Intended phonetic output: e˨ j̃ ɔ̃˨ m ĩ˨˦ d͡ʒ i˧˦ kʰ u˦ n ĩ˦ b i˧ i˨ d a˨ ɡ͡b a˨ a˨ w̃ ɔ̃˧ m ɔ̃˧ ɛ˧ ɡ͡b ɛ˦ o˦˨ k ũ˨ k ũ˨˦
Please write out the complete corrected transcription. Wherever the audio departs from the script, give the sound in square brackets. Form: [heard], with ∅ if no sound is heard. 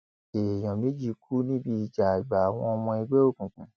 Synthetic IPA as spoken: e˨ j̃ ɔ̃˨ m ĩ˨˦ d͡ʒ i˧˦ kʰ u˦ n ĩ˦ b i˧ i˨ [d͡ʒ] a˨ ɡ͡b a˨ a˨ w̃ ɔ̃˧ m ɔ̃˧ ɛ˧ ɡ͡b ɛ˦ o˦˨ k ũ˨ k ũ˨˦